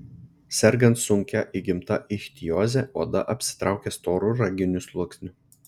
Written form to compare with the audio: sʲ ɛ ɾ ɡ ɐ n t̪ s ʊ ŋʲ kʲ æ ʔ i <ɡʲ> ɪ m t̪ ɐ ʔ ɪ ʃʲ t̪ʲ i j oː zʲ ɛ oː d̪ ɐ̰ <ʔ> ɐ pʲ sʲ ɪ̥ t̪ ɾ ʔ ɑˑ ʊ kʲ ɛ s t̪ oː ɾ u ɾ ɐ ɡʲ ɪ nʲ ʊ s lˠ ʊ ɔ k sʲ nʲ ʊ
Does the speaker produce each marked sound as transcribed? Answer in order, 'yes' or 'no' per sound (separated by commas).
yes, yes